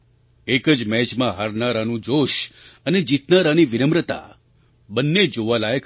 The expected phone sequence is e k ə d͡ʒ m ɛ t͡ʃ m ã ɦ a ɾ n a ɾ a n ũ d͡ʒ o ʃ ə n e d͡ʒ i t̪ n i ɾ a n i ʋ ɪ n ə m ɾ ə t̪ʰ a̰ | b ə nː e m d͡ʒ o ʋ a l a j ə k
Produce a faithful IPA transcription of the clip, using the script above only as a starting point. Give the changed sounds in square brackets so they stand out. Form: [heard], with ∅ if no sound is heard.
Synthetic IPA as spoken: e k ə d͡ʒ m ɛ t͡ʃ m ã ɦ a ɾ n a ɾ a n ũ d͡ʒ o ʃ ə n e d͡ʒ i t̪ n [a] ɾ a n i ʋ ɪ n ə m ɾ ə [t̪] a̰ | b ə nː e [∅] d͡ʒ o ʋ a l a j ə k